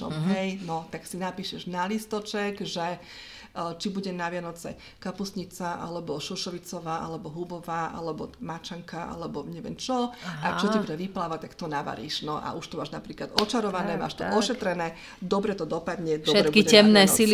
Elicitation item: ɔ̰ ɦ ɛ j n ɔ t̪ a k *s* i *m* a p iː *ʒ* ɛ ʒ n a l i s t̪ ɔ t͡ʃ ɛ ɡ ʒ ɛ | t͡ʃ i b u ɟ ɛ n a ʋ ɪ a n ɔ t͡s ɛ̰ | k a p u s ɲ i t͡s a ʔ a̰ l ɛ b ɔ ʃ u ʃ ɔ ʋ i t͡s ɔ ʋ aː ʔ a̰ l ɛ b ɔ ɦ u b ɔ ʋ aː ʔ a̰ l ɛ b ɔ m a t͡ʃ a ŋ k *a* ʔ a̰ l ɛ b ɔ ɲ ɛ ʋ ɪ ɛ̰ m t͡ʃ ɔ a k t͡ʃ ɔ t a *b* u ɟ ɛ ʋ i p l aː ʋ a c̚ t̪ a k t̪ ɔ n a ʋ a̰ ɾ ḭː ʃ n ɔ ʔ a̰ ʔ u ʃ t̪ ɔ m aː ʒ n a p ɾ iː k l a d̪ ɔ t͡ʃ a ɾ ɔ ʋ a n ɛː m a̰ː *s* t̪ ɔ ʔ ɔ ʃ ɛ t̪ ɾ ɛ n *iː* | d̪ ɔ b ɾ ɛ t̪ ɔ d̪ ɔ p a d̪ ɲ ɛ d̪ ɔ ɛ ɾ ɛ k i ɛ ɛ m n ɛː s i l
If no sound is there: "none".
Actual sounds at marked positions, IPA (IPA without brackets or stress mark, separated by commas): s, n, ʃ, a, b, ʃ, ɛː